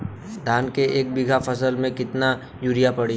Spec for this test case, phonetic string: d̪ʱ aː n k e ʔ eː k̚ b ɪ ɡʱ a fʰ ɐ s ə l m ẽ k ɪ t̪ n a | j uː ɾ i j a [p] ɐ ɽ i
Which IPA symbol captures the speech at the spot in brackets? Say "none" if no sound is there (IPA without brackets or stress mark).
p